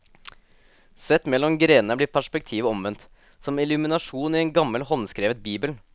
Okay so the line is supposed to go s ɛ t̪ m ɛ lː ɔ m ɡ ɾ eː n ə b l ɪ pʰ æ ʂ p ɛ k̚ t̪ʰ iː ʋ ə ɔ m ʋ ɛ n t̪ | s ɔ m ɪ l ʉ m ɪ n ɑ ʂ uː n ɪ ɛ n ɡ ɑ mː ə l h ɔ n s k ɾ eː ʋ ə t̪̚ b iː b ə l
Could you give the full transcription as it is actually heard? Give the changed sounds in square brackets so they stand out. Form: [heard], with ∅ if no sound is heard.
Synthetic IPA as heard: s ɛ t̪ m ɛ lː ɔ m ɡ ɾ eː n ə b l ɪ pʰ æ ʂ p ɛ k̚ t̪ʰ iː ʋ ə ɔ m ʋ ɛ n t̪ | s ɔ m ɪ l ʉ m ɪ n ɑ ʂ uː n ɪ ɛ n ɡ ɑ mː ə l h ɔ n s k ɾ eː ʋ ə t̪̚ b iː b ə l

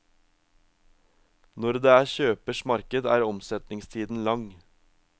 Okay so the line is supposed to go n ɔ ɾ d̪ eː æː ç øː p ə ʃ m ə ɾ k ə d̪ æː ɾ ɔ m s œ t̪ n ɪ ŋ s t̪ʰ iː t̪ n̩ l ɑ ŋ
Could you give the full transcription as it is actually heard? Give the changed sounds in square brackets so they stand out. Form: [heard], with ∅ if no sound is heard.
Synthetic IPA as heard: n ɔ ɾ d̪ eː æː ç øː p ə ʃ m [ɑ] ɾ k ə d̪ æː ɾ ɔ m s [ɛ] t̪ n ɪ ŋ s t̪ʰ iː [d̪] n̩ l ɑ ŋ

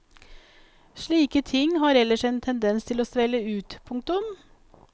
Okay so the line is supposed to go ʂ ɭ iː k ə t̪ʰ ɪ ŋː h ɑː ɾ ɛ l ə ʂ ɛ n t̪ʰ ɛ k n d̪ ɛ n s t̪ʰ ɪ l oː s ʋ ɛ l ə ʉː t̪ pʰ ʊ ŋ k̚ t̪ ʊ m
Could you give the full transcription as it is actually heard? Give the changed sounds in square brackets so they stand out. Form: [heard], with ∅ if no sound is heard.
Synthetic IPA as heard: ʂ ɭ iː k ə t̪ʰ ɪ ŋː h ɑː ɾ ɛ l ə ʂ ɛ n t̪ʰ ɛ [∅] n d̪ ɛ n s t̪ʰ ɪ l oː s ʋ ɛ l ə ʉː t̪ pʰ ʊ ŋ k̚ t̪ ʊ m

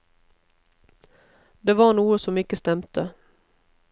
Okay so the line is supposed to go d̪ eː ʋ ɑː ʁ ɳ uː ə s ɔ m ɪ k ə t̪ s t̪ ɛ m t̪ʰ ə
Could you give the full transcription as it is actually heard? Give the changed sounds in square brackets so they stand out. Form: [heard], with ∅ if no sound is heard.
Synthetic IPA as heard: d̪ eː ʋ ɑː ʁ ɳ uː ə s ɔ m ɪ k ə [∅] s t̪ ɛ m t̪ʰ ə

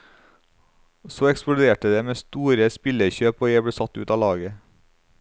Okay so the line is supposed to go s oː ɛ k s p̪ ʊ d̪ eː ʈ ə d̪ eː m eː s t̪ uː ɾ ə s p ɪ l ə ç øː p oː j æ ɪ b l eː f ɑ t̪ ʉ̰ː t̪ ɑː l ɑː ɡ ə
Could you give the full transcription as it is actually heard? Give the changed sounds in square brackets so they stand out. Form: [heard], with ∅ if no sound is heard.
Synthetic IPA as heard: s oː ɛ k s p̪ ʊ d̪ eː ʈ ə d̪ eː m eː s t̪ uː ɾ ə s p ɪ l ə ç øː p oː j æ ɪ b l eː [s] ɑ t̪ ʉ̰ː t̪ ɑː l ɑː ɡ ə

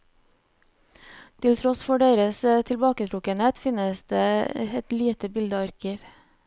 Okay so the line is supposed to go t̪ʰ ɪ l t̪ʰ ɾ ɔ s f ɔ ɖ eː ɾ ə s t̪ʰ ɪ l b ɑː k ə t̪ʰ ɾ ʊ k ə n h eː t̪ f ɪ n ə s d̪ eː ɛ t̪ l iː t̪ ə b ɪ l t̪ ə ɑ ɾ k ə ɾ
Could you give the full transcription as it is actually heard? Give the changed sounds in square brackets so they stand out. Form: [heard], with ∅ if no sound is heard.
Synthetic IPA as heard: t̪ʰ ɪ l t̪ʰ ɾ ɔ s f ɔ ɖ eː ɾ ə s t̪ʰ ɪ l b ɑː k ə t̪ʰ ɾ ʊ k ə n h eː t̪ f ɪ n ə s d̪ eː ɛ t̪ l iː t̪ ə b ɪ l [d̪] ə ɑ ɾ k ə ɾ

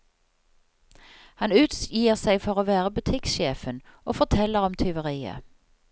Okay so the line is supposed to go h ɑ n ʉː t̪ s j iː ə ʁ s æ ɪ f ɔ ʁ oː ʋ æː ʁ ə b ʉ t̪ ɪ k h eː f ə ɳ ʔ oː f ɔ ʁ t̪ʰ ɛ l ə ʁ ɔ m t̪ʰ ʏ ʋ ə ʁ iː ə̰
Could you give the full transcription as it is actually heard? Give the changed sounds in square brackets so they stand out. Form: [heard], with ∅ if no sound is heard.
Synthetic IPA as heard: h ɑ n ʉː t̪ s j iː ə ʁ s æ ɪ f ɔ ʁ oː ʋ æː ʁ ə b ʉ [t̪ʰ] ɪ k [ʃ] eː f ə [n] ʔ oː f ɔ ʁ t̪ʰ ɛ l ə ʁ ɔ m t̪ʰ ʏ ʋ ə ʁ iː ə̰

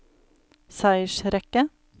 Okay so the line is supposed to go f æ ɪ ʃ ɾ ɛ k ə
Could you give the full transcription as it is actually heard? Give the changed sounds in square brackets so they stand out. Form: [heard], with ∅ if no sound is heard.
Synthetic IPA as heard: [s] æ ɪ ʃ ɾ ɛ k ə

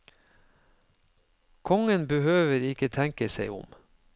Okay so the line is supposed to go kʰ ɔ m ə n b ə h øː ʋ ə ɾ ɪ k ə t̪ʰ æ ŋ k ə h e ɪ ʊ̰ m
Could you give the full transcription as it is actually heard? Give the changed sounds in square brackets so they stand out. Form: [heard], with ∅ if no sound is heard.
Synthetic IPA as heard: kʰ ɔ [ŋ] ə n b ə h øː ʋ ə ɾ ɪ k ə t̪ʰ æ ŋ k ə [s] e ɪ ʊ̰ m

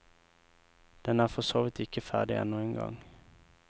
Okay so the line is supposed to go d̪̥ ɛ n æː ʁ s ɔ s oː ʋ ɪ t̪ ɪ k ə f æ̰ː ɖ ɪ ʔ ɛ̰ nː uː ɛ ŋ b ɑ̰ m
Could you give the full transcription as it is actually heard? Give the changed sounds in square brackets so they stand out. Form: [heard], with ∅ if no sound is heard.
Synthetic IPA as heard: d̪̥ ɛ n æː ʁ [f] ɔ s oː ʋ ɪ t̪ ɪ k ə f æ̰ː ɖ ɪ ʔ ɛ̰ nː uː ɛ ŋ [ɡ] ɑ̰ [ŋ]

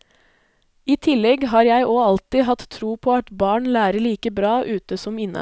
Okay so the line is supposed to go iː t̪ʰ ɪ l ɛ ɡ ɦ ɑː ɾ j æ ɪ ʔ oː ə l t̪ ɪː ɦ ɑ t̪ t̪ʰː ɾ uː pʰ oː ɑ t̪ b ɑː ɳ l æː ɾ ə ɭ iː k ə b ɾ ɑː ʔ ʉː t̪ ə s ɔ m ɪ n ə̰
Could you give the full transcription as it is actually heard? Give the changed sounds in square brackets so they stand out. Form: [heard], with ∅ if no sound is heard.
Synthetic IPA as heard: iː t̪ʰ ɪ l ɛ ɡ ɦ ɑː ɾ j æ ɪ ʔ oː [ɑ] l t̪ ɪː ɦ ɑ t̪ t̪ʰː ɾ uː pʰ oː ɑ t̪ b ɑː ɳ l æː ɾ ə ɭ iː k ə b ɾ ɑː ʔ ʉː t̪ ə s ɔ m ɪ n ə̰

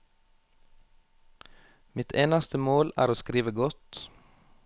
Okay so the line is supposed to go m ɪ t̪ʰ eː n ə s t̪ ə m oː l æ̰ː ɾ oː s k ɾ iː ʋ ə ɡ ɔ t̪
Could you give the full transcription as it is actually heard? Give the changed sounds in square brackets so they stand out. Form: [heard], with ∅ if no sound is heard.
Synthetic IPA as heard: m ɪ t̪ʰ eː n [ɑ] s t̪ ə m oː l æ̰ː ɾ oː s k ɾ iː ʋ ə ɡ ɔ t̪

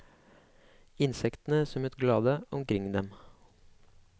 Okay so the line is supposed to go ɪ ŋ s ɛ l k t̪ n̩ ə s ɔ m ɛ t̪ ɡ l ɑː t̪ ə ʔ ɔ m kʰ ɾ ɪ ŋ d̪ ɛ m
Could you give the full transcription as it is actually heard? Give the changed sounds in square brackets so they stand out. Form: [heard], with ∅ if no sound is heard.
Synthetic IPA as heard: ɪ [n] s ɛ [∅] k t̪ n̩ ə s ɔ m ɛ t̪ ɡ l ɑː [d̪] ə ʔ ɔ m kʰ ɾ ɪ ŋ d̪ ɛ m

